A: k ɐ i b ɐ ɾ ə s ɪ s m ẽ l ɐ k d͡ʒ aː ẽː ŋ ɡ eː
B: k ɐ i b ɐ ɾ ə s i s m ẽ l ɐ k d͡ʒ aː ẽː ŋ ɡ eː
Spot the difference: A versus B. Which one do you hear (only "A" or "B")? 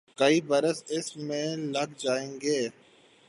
A